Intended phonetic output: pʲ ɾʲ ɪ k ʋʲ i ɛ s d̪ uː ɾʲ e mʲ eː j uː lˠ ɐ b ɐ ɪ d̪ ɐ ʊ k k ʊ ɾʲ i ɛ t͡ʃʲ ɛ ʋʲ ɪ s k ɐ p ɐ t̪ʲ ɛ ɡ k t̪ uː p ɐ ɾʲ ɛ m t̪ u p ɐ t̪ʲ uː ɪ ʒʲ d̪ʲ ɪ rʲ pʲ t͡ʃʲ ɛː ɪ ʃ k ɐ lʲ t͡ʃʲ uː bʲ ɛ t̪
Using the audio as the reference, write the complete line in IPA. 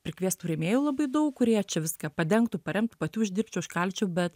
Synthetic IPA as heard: pʲ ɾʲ ɪ k ʋʲ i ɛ s t̪ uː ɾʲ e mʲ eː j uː lˠ ɐ b ɐ ɪ d̪ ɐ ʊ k k ʊ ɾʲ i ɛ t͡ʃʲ ɛ ʋʲ ɪ s k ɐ p ɐ d̪ʲ ɛ ŋ k t̪ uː p ɐ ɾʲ ɛ m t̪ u p ɐ t̪ʲ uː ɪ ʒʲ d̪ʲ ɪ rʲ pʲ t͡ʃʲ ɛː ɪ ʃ k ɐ lʲ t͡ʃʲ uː bʲ ɛ t̪